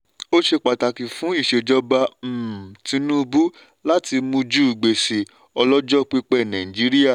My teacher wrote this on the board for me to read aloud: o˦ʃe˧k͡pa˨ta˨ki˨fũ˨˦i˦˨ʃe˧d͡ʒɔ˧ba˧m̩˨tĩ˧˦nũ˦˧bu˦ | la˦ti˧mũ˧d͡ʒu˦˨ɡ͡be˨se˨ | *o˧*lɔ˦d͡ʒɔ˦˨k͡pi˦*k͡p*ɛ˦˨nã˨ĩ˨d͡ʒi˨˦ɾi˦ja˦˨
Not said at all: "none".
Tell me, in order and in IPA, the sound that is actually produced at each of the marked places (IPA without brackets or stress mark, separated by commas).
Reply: ɔ˧, k͡p